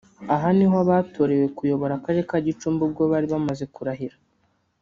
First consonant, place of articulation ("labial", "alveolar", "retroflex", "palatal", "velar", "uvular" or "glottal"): glottal